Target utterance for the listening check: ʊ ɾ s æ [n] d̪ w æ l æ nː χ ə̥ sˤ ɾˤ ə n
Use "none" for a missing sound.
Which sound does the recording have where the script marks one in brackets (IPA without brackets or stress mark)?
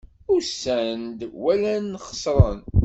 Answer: n